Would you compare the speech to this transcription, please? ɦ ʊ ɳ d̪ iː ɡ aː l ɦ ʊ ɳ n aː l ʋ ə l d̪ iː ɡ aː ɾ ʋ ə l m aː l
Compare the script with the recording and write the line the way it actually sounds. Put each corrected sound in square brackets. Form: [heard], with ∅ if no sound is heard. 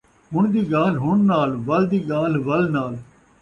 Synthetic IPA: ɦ ʊ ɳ d̪ iː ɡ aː l ɦ ʊ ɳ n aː l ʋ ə l d̪ iː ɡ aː [l] ʋ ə l [n] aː l